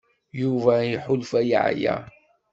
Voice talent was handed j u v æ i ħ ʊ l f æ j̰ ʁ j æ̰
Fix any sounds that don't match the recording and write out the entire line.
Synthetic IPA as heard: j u v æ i ħ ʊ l f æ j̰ ʕ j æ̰